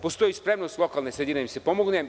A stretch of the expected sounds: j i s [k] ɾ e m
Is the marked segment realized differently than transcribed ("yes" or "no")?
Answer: yes